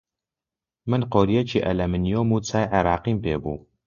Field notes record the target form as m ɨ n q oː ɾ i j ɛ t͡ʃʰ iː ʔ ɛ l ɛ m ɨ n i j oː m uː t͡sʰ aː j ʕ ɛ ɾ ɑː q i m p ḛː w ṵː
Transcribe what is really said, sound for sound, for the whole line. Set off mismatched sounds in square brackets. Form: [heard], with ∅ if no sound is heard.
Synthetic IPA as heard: m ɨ n q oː ɾ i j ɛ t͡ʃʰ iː ʔ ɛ l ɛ m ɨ n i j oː m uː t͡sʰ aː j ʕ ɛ ɾ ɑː q i m p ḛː [b] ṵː